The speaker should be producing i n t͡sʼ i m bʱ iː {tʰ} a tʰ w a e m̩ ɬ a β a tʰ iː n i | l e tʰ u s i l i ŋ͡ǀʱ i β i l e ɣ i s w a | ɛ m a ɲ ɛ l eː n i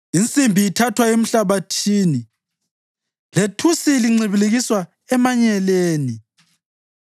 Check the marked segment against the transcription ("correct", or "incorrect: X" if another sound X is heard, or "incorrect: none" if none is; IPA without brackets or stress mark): correct